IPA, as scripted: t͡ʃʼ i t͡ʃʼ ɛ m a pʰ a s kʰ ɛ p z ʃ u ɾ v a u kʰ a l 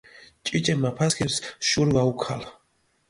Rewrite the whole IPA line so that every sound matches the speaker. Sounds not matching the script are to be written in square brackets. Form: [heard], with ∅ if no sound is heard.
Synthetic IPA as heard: t͡ʃʼ i t͡ʃʼ ɛ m a pʰ a s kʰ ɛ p [s] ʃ u ɾ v a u kʰ a l